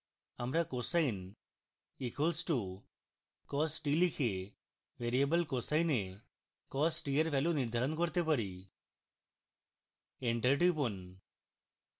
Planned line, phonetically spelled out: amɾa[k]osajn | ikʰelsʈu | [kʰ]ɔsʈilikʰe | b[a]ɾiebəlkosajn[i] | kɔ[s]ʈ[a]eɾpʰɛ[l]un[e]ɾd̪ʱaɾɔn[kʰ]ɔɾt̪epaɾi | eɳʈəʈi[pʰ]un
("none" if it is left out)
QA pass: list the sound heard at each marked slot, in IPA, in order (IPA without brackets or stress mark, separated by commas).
k, k, e, e, s, i, l, i, k, p